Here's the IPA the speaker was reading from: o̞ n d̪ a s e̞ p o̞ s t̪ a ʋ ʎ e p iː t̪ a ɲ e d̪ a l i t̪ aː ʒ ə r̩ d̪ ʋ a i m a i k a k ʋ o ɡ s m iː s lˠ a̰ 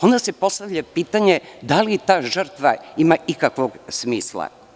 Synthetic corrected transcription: o̞ n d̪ a s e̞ p o̞ s t̪ a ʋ ʎ a p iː t̪ a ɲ e d̪ a l i t̪ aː ʒ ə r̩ t̪ ʋ a i m a i k a k ʋ o ɡ s m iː s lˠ a̰